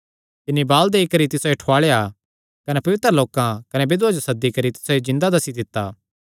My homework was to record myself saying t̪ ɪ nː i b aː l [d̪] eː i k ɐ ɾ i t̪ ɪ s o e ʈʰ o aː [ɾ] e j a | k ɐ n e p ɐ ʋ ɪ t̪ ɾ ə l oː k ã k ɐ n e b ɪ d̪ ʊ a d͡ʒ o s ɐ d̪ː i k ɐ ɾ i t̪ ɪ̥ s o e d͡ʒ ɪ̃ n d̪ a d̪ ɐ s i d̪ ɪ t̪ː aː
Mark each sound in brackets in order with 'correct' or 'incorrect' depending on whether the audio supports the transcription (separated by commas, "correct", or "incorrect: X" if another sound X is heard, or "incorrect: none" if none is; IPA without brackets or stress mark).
correct, incorrect: ɭ